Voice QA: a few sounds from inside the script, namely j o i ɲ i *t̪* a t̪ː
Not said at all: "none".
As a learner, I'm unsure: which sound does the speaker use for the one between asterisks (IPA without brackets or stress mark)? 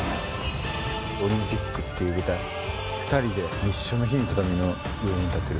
t̪